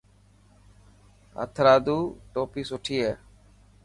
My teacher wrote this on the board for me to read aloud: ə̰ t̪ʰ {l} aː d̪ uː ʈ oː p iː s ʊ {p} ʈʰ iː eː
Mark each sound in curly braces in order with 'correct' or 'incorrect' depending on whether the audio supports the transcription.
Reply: incorrect: ɾ, incorrect: none

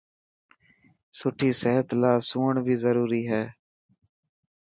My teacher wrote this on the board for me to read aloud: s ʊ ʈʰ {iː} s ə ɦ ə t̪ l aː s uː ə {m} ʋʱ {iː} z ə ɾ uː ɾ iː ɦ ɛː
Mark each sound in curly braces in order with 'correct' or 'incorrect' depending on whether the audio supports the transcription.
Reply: correct, incorrect: ɳ, correct

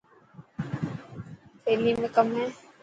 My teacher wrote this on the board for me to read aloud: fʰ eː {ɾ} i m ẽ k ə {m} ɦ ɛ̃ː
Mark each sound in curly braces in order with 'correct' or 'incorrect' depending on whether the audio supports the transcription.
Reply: incorrect: l, correct

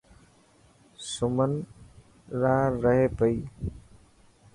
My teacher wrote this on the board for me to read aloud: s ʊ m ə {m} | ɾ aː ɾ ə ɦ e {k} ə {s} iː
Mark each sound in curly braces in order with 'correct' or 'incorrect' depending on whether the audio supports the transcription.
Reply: incorrect: n, incorrect: p, incorrect: none

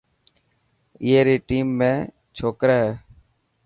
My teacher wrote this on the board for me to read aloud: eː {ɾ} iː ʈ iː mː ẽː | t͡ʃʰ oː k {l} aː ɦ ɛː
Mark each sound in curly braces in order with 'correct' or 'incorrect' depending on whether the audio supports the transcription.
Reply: correct, incorrect: ɾ

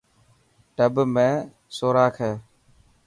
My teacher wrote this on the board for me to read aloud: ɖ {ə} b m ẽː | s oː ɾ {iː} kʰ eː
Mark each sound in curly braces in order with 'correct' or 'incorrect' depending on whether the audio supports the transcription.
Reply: correct, incorrect: aː

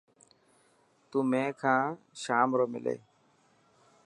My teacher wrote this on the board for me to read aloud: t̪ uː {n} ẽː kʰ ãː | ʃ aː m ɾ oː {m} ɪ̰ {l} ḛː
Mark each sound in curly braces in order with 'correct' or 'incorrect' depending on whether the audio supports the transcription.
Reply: incorrect: m, correct, correct

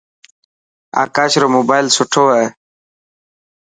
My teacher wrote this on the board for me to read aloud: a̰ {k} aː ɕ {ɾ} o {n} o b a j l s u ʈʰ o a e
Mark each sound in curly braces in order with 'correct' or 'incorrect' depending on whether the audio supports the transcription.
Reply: correct, correct, incorrect: m

